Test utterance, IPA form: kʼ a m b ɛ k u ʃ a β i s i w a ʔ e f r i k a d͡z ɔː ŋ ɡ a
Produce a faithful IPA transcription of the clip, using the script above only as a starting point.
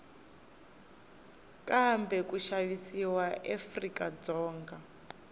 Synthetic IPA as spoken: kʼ a m b ɛ k u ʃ a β i s i w a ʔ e f r i k a d͡z ɔː ŋ ɡ a